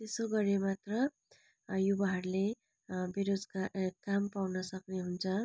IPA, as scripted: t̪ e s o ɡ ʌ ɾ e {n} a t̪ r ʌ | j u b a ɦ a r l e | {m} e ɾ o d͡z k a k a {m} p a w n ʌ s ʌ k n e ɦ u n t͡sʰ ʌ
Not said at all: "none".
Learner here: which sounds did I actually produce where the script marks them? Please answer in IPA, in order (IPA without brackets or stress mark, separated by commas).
m, b, m